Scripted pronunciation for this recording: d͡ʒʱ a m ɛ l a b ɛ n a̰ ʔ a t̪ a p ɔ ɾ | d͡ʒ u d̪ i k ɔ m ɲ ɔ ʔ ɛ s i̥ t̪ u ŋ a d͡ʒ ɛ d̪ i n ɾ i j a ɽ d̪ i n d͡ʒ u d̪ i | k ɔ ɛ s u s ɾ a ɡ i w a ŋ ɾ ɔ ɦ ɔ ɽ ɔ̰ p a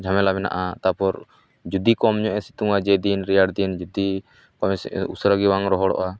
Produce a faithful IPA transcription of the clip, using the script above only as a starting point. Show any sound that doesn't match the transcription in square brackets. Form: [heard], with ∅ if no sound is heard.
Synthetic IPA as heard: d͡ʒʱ a m ɛ l a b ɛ n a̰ ʔ a t̪ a p ɔ ɾ | d͡ʒ u d̪ i k ɔ m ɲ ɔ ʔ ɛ s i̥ t̪ u ŋ a d͡ʒ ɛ d̪ i n ɾ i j a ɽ d̪ i n d͡ʒ u d̪ i | k ɔ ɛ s u s ɾ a ɡ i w a ŋ ɾ ɔ ɦ ɔ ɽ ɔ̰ [ʔ] a